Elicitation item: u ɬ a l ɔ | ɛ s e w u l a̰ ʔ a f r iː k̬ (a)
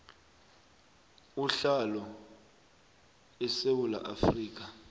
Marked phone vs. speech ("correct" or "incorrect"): correct